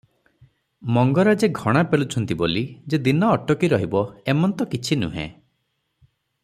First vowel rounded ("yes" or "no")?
yes